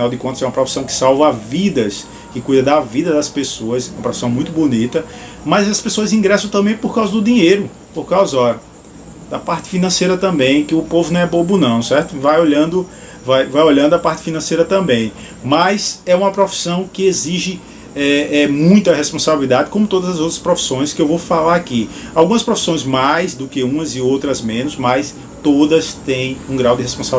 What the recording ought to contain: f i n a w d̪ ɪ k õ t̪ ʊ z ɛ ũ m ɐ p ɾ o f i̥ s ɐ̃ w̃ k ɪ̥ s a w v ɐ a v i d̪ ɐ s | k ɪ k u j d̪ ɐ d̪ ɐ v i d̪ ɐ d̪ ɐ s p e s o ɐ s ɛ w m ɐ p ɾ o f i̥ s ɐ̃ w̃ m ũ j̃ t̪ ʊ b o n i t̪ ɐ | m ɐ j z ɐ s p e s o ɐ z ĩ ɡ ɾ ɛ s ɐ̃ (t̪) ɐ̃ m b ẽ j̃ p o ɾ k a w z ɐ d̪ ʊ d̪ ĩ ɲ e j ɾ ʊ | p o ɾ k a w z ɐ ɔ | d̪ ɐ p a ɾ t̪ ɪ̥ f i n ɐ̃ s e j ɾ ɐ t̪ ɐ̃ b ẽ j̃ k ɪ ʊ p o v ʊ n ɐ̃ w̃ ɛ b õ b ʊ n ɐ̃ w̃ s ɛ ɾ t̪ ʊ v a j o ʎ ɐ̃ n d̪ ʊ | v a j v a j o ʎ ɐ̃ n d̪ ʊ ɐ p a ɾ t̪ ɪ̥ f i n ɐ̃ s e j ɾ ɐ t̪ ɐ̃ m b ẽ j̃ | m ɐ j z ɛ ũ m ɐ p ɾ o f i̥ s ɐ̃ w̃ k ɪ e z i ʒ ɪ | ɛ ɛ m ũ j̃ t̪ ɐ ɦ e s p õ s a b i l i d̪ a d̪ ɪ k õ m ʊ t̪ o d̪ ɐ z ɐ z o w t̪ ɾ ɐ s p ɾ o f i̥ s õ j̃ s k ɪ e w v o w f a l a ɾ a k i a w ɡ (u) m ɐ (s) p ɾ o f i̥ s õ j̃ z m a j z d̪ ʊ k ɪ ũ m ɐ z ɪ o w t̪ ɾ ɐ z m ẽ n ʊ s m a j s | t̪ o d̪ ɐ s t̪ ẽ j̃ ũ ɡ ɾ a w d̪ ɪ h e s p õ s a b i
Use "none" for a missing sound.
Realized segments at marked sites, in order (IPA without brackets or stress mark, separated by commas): t̪, ũ, s